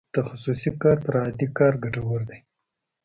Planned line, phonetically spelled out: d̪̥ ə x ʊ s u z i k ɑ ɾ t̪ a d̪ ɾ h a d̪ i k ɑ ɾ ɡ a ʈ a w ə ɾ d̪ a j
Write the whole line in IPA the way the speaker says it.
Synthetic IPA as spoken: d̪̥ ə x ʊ s u s i k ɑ ɾ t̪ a ɾ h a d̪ i k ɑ ɾ ɡ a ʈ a w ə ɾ d̪ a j